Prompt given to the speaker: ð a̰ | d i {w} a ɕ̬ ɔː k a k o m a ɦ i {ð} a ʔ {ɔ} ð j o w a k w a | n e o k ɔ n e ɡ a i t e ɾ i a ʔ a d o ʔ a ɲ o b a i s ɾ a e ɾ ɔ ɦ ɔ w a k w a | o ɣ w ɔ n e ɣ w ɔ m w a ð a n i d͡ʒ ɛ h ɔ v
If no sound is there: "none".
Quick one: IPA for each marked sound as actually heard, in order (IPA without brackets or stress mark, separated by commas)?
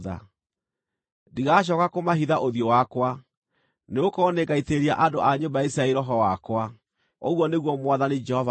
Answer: ɣ, ð, o